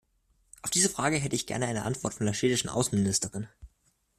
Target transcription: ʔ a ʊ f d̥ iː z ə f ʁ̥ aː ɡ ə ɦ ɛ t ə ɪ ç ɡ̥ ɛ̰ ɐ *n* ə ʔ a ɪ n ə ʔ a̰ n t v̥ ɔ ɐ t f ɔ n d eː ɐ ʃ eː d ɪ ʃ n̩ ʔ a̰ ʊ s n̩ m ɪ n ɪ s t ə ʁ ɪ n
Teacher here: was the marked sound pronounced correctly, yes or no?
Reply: yes